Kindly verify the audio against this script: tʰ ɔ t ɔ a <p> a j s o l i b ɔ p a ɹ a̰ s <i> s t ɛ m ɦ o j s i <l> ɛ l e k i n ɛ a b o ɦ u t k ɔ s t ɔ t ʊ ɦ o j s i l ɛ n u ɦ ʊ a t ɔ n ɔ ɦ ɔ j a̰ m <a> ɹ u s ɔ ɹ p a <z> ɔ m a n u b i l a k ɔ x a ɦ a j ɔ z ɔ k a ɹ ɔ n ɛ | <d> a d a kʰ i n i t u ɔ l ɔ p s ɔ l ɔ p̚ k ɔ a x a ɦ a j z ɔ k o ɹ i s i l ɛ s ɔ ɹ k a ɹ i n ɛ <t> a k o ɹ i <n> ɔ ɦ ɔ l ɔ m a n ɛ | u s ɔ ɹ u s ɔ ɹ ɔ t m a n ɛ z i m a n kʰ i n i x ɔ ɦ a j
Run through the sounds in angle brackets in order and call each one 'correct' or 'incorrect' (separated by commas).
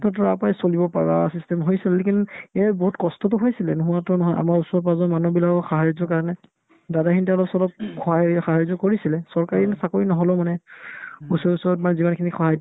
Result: correct, correct, correct, correct, correct, correct, incorrect, correct